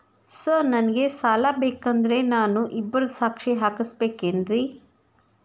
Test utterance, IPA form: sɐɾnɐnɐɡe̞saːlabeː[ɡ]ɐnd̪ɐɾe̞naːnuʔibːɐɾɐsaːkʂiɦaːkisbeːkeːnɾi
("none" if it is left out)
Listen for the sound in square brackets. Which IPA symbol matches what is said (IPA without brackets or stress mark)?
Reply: k